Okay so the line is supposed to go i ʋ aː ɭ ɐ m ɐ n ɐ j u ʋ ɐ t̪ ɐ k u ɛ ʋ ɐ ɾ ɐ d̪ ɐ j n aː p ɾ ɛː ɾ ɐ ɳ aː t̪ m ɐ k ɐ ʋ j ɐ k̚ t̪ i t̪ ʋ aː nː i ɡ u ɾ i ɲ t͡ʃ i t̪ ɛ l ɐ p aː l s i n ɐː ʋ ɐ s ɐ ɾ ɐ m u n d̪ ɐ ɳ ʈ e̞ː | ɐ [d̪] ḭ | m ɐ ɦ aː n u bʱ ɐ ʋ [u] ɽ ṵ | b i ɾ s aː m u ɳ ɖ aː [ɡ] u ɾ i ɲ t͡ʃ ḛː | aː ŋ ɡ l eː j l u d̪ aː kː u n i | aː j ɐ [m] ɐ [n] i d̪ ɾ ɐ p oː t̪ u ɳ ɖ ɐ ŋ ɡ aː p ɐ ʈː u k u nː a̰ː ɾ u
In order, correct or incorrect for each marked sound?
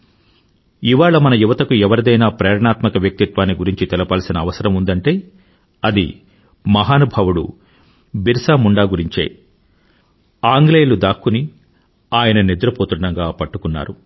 correct, correct, correct, incorrect: n, correct

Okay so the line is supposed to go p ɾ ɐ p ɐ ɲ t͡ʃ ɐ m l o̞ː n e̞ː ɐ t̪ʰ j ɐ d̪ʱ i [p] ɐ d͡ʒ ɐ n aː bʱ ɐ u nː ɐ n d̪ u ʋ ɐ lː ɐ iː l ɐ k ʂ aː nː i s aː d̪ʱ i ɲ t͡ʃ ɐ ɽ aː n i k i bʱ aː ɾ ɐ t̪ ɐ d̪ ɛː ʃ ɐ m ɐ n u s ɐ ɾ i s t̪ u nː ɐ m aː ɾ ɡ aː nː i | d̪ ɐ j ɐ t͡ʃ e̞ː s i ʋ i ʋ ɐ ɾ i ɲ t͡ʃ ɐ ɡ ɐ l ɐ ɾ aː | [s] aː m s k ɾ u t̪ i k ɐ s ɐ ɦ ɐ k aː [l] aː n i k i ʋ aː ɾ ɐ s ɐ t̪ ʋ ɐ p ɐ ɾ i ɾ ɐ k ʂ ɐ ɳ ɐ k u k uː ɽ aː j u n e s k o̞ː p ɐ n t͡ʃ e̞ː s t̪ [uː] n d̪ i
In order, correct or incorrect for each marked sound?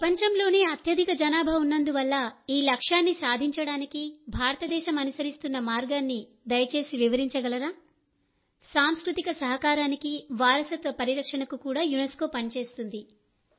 incorrect: k, correct, incorrect: ɾ, incorrect: u

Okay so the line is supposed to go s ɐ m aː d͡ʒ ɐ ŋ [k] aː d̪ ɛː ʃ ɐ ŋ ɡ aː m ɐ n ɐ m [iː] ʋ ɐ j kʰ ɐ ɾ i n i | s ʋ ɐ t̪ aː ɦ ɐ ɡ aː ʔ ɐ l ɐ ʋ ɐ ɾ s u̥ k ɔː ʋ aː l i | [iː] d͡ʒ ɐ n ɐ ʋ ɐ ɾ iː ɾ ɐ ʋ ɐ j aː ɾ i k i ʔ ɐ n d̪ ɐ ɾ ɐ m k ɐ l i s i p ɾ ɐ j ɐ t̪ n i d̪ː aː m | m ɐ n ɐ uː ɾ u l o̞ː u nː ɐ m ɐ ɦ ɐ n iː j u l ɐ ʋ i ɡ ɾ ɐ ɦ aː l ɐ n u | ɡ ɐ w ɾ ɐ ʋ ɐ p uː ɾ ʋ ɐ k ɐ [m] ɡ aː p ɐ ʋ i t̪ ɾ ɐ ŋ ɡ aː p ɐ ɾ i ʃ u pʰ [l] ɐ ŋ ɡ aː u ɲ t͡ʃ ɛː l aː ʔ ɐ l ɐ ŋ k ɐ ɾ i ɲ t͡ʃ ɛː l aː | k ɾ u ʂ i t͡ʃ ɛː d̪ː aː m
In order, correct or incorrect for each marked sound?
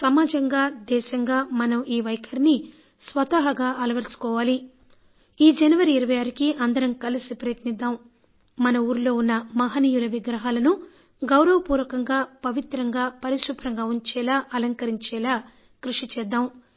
incorrect: ɡ, correct, correct, incorrect: ŋ, incorrect: ɾ

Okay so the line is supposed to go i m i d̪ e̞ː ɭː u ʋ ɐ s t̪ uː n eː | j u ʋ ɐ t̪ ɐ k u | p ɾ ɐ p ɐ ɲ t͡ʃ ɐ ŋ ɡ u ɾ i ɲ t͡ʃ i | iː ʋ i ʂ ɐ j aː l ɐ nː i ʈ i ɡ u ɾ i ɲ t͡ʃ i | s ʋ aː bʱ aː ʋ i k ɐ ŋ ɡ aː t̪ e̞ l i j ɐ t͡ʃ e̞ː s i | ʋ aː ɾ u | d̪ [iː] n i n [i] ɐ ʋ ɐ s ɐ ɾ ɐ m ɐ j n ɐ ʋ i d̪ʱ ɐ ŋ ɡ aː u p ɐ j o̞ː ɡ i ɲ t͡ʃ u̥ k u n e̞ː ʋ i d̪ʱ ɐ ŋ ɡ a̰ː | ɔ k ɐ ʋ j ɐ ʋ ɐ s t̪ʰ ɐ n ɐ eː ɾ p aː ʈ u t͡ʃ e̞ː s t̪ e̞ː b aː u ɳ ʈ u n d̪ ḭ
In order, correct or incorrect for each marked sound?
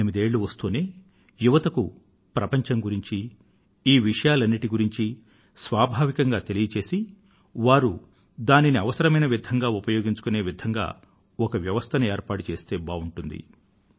incorrect: aː, correct

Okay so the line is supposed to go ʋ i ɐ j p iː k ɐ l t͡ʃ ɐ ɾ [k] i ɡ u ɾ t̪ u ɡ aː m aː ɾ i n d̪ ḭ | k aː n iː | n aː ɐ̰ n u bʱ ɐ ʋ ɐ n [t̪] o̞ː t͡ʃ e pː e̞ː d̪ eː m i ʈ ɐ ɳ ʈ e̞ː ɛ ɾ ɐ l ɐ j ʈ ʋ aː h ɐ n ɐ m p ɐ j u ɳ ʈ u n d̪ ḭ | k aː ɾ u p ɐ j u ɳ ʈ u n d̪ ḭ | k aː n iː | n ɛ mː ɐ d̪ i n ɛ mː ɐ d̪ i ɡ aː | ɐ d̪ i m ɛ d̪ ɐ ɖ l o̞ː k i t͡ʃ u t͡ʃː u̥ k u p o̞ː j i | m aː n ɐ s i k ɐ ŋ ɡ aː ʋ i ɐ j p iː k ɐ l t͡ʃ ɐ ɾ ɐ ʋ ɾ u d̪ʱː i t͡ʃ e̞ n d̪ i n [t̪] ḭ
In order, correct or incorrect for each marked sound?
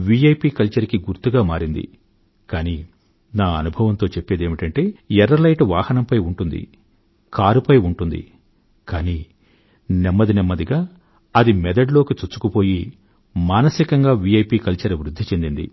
correct, correct, incorrect: d̪

